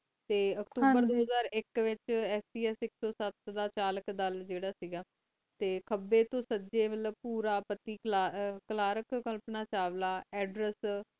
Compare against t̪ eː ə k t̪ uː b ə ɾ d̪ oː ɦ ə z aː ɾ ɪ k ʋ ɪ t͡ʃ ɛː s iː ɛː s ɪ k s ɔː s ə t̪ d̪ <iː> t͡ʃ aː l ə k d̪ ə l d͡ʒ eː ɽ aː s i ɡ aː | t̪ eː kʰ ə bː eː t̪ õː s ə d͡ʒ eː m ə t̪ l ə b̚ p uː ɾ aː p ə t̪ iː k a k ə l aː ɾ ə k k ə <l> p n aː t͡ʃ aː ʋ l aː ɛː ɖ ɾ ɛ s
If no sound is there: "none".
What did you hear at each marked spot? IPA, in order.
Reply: aː, l

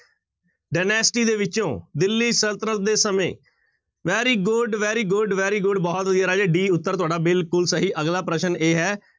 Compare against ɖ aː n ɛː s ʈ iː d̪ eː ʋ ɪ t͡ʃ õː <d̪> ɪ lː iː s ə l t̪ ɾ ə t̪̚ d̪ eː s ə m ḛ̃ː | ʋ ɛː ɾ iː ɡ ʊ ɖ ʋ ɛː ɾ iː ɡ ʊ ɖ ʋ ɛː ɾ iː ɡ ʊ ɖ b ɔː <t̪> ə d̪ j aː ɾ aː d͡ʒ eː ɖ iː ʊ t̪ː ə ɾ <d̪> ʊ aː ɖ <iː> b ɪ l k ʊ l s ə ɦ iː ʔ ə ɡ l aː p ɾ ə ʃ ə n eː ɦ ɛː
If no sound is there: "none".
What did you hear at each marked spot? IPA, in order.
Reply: d̪, t̪, t̪, aː

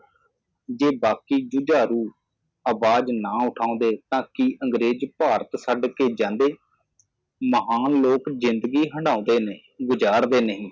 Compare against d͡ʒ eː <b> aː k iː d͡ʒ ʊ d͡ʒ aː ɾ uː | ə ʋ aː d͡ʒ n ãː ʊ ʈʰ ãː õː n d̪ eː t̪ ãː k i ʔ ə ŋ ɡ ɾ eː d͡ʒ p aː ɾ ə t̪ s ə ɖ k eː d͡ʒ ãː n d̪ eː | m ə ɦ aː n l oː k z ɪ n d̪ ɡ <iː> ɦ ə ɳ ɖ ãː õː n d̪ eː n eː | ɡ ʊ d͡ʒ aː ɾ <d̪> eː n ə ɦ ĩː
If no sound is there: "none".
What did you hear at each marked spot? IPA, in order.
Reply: b, iː, d̪

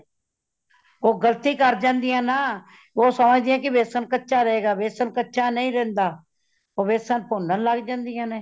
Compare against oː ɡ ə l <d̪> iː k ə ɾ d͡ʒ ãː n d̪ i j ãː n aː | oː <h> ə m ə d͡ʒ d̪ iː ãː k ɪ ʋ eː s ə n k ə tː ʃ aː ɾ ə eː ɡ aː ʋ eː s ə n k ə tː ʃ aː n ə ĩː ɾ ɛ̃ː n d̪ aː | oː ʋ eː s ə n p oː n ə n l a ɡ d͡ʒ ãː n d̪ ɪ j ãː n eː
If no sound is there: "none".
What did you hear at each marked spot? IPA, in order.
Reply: t̪, s

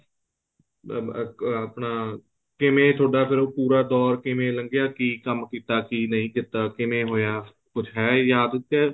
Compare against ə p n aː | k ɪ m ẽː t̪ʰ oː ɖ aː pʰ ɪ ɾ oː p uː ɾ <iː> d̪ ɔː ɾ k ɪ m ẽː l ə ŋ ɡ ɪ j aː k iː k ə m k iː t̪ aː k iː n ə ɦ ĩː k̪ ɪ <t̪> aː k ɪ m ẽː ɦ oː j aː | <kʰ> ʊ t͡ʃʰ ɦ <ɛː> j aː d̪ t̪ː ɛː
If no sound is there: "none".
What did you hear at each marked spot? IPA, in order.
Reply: aː, t̪, k, ɛː

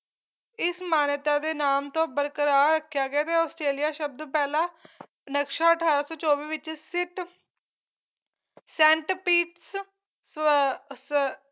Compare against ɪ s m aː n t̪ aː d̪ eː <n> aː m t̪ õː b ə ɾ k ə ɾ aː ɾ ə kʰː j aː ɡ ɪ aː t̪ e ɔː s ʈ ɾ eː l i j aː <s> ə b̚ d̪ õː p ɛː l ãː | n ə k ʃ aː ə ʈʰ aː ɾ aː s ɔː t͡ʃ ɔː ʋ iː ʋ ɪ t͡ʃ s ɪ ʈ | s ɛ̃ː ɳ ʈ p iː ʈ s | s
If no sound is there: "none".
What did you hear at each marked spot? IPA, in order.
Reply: n, ʃ

